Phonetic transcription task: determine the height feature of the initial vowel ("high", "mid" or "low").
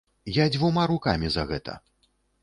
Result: low